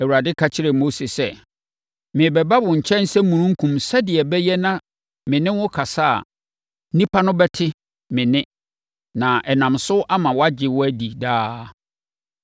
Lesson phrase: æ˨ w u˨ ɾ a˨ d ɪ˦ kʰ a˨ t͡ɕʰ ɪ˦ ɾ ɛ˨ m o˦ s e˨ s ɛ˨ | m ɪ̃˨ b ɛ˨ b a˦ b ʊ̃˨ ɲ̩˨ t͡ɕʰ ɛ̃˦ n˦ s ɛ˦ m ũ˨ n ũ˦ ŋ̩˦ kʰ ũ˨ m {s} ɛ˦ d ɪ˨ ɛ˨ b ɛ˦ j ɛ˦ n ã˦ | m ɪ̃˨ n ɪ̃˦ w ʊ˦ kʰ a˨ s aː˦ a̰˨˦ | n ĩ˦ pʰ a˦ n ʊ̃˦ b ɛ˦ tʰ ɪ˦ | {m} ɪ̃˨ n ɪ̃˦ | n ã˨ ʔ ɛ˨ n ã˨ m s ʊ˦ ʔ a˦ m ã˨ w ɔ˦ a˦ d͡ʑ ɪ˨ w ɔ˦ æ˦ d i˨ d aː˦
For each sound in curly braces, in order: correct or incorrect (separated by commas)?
correct, correct